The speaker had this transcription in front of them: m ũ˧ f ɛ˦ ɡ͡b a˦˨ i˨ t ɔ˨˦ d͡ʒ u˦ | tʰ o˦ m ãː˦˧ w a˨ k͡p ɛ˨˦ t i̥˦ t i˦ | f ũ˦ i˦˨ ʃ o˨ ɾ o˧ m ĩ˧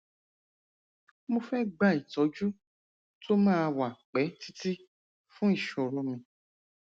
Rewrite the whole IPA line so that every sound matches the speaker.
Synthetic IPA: m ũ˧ f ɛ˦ ɡ͡b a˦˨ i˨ t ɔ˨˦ d͡ʒ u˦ | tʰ o˦ m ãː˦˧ w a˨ k͡p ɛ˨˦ t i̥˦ t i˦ | f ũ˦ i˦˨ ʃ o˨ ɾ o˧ m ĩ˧